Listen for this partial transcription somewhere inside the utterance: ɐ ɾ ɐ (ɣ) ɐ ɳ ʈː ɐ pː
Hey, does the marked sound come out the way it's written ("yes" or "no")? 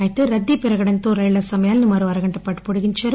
yes